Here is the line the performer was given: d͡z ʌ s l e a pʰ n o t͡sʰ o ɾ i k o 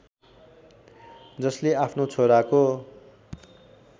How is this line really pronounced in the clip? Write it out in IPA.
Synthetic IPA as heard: d͡z ʌ s l e a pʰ n o t͡sʰ o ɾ a k o